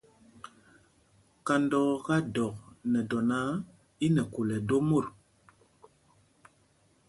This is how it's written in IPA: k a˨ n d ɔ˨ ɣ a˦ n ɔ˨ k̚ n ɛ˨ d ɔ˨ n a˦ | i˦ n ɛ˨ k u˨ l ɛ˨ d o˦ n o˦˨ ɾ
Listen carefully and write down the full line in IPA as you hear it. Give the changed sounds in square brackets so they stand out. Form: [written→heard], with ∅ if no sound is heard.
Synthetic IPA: k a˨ n d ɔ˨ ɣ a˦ [n→d] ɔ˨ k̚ n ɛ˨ d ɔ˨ n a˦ | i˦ n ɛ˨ k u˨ l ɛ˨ d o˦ [n→m] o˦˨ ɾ